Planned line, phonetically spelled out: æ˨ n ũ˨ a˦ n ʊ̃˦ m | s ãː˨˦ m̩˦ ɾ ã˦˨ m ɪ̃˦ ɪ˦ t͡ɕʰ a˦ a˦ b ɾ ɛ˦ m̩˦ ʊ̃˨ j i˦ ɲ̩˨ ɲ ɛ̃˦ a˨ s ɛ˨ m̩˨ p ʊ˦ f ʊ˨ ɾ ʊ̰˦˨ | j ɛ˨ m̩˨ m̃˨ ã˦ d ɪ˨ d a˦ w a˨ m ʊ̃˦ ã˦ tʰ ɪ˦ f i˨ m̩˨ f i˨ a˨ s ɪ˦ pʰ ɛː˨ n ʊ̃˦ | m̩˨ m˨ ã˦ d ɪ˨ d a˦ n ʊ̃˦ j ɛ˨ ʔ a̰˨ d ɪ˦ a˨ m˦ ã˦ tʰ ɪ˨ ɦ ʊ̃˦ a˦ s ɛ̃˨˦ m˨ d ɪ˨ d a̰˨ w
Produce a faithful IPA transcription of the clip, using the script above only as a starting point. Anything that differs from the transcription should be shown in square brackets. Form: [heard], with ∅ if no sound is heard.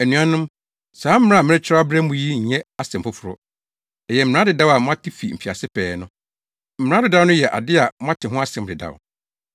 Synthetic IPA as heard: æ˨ n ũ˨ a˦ n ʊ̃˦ m | s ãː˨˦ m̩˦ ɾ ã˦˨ m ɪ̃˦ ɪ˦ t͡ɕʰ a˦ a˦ b ɾ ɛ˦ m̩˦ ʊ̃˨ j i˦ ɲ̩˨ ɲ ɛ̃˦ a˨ s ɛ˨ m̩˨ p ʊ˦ f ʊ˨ ɾ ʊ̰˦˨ | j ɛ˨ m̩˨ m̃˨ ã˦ d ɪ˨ d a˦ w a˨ m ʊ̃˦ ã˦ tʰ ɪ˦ f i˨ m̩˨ f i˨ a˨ s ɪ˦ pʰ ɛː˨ n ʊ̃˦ | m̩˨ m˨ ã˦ d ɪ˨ d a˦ n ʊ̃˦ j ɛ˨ ʔ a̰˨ d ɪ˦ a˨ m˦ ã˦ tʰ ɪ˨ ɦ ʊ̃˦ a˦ s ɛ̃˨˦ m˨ d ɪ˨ d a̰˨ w